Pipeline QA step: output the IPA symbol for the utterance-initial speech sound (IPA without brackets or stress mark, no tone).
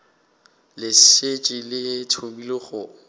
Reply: l